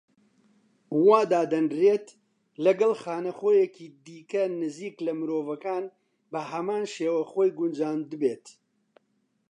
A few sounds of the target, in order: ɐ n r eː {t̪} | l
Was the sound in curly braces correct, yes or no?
yes